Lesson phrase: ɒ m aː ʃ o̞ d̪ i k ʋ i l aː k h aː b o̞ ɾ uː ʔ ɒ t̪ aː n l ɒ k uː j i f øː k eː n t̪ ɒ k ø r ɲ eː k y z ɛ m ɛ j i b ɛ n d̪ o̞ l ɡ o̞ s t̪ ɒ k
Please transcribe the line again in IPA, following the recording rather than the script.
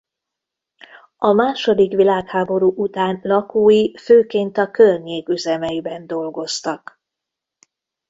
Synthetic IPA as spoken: ɒ m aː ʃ o̞ d̪ i k ʋ i l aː k h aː b o̞ ɾ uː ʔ u t̪ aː n l ɒ k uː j i f øː k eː n t̪ ɒ k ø r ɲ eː k y z ɛ m ɛ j i b ɛ n d̪ o̞ l ɡ o̞ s t̪ ɒ k